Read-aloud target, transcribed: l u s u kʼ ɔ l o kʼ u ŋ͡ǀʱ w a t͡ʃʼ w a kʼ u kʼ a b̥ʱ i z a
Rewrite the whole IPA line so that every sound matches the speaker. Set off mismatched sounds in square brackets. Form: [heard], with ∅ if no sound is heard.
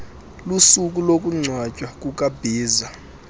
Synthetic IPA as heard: l u s u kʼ [u] l o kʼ u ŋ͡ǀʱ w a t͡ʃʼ w a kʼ u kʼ a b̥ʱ [iː] z a